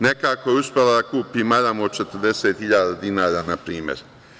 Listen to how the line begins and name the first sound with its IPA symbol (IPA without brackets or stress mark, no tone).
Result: n